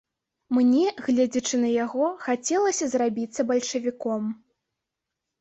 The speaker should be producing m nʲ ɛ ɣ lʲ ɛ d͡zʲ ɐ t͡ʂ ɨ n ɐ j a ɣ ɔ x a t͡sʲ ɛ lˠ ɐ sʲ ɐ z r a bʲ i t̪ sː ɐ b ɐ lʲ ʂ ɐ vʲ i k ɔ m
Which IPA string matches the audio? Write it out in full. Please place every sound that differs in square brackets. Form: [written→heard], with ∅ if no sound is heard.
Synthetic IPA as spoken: m nʲ ɛ ɣ lʲ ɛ d͡zʲ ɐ t͡ʂ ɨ n ɐ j a ɣ ɔ x a t͡sʲ ɛ lˠ ɐ sʲ ɐ z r a bʲ i t̪ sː ɐ b ɐ lʲ ʂ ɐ vʲ i k ɔ m